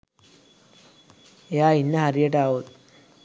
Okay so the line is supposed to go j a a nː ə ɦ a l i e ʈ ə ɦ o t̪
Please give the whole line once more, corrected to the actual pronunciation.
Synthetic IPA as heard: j a i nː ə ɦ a ɾ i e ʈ a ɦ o t̪